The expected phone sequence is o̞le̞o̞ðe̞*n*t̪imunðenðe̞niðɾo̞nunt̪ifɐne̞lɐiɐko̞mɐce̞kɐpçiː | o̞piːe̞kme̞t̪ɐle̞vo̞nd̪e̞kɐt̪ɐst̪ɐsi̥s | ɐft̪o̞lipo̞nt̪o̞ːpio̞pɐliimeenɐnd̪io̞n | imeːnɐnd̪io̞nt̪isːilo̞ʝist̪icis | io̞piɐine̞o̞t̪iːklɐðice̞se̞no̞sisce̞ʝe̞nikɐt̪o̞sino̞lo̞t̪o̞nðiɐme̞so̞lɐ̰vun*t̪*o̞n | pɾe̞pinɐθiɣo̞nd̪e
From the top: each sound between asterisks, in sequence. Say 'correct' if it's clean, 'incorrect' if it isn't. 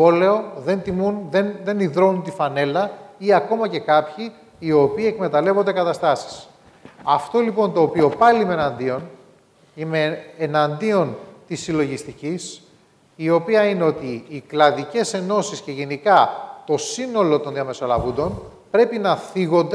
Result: correct, incorrect: d̪

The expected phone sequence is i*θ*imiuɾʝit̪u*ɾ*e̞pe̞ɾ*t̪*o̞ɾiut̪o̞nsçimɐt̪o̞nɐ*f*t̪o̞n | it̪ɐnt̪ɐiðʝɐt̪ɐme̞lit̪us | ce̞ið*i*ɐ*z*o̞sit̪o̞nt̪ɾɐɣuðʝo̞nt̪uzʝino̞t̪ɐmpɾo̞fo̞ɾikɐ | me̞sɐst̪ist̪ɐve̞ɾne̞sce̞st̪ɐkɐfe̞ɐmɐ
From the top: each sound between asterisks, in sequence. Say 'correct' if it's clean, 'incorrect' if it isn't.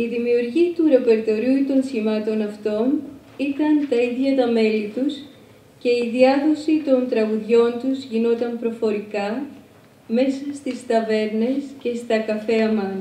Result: incorrect: ð, correct, correct, correct, correct, incorrect: ð

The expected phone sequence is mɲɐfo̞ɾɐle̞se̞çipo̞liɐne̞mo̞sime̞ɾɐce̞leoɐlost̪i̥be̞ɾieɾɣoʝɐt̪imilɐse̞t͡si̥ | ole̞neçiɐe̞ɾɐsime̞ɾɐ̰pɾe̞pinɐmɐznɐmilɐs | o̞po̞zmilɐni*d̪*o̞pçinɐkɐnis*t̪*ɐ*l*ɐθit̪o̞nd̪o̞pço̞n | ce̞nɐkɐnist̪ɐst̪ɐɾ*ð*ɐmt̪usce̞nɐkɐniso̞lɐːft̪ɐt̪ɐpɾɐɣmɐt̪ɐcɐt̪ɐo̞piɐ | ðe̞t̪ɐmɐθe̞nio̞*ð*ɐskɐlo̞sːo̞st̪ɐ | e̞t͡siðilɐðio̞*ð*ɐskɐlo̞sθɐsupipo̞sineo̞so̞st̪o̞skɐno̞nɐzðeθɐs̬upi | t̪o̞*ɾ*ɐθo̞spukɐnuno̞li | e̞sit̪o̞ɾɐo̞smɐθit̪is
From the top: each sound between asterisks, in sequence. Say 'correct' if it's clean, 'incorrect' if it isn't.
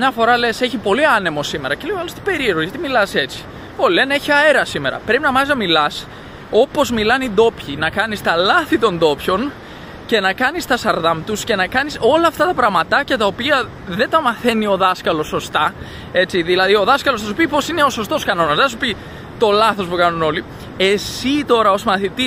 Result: correct, correct, correct, correct, correct, correct, incorrect: l

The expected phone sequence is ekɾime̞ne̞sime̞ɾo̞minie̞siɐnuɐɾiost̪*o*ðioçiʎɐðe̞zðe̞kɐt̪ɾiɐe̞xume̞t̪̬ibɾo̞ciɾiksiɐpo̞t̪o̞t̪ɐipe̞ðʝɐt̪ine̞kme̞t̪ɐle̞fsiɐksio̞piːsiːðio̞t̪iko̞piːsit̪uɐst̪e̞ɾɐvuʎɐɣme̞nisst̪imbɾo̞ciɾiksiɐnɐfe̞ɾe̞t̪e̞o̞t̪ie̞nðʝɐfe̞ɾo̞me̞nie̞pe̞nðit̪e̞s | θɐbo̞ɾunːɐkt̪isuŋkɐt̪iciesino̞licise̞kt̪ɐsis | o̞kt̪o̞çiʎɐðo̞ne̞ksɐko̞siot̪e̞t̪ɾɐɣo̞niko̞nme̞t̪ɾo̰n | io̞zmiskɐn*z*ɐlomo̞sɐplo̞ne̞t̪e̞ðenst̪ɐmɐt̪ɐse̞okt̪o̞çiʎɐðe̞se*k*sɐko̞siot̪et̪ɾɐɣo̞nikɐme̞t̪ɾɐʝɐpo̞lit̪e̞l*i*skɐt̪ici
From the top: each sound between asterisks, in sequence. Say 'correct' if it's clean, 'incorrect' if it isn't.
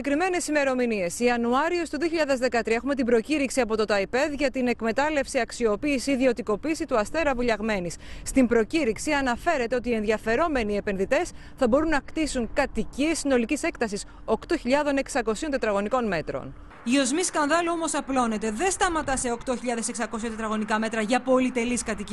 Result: incorrect: u, incorrect: ð, correct, correct

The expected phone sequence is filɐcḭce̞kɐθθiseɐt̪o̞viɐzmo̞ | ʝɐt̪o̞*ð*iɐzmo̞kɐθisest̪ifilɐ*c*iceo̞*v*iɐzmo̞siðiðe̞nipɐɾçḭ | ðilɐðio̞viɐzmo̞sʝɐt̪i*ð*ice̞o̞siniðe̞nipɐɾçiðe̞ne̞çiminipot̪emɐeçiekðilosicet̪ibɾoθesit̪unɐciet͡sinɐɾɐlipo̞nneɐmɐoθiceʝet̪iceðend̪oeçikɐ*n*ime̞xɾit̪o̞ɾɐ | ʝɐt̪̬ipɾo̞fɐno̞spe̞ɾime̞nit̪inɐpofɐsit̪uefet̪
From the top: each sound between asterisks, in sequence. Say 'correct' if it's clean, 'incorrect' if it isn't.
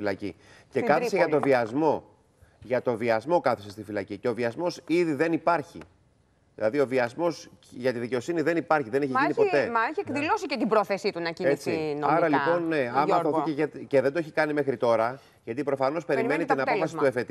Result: incorrect: v, correct, correct, correct, correct

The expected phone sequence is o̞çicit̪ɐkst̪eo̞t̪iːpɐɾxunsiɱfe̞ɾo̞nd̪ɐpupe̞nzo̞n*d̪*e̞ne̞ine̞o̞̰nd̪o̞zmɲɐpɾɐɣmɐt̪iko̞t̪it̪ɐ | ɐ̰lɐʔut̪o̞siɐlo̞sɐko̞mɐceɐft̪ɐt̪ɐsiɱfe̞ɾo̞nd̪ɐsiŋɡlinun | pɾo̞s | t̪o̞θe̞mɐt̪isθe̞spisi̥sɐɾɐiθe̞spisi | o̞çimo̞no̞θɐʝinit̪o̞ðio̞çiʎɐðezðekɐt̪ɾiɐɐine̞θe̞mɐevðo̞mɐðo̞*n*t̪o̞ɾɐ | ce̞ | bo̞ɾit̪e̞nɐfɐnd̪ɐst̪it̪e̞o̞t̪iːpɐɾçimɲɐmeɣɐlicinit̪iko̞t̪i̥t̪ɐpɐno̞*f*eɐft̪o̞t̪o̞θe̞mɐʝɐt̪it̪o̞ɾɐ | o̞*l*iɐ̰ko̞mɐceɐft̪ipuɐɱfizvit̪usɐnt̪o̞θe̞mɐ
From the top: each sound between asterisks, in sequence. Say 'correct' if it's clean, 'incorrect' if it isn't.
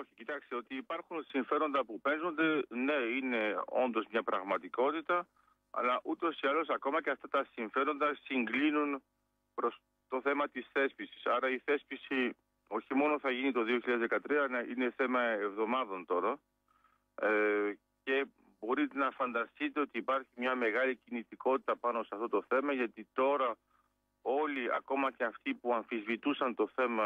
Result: correct, correct, incorrect: s, correct

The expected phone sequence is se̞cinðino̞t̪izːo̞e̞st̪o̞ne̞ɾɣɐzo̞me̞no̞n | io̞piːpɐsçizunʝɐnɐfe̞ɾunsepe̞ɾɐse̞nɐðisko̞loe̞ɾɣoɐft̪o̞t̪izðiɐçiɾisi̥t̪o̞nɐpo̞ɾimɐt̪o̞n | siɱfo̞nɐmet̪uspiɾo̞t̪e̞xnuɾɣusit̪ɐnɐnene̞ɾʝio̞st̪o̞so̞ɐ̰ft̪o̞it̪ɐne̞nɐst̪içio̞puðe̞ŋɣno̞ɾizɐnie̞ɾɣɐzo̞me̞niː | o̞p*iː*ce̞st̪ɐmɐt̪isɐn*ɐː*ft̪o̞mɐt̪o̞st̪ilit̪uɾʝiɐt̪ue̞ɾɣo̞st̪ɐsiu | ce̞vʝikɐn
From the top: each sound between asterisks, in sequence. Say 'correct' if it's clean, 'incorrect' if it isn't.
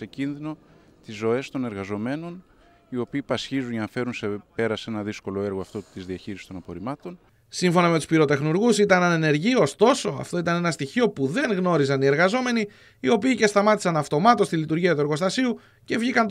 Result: correct, incorrect: ɐ

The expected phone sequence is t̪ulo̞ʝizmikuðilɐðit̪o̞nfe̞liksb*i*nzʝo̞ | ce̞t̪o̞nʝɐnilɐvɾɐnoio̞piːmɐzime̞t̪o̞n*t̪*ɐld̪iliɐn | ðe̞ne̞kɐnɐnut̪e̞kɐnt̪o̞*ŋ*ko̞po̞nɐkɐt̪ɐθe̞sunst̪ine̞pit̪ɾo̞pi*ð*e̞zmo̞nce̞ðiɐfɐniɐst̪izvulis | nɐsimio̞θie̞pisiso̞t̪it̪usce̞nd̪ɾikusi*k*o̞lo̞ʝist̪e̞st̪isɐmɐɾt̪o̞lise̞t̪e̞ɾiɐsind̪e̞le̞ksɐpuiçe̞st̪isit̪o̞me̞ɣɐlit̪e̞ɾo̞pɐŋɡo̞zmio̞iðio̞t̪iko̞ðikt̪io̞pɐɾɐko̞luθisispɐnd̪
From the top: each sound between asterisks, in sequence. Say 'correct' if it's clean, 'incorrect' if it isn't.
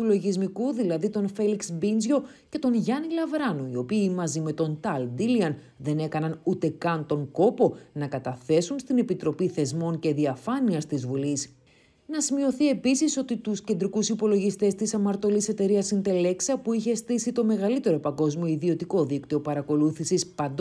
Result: correct, correct, correct, incorrect: θ, incorrect: p

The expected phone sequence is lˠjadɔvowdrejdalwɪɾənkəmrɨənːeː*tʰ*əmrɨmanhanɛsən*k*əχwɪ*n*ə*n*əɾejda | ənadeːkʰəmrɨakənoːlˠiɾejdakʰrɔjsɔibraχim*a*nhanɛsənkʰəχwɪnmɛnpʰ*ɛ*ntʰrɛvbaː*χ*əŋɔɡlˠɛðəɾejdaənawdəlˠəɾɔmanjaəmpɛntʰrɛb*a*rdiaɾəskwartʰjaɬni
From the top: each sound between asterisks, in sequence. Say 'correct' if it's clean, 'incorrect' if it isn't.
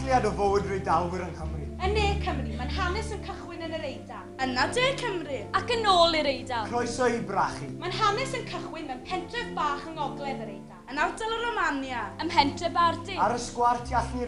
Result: incorrect: kʰ, incorrect: kʰ, correct, correct, correct, correct, correct, correct

